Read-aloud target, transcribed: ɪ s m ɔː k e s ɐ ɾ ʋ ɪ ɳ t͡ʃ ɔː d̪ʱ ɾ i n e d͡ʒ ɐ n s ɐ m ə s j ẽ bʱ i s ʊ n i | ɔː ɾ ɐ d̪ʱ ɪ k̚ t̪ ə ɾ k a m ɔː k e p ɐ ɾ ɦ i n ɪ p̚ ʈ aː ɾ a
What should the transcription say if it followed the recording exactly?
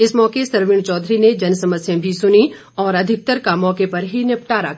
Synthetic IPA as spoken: ɪ s m ɔː k e s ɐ ɾ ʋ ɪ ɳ t͡ʃ ɔː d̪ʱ ɾ i n e d͡ʒ ɐ n s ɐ m ə s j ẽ bʱ i s ʊ n i | ɔː ɾ ɐ d̪ʱ ɪ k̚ t̪ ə ɾ k a m ɔː k e p ɐ ɾ ɦ i n ɪ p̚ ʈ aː ɾ a